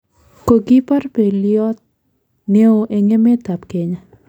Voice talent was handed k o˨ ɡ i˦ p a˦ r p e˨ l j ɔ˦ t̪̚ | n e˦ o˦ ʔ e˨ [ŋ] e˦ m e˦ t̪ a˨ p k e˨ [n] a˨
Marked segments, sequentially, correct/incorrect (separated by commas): correct, incorrect